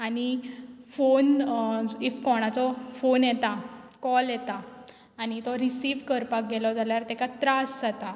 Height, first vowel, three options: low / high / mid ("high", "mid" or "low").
low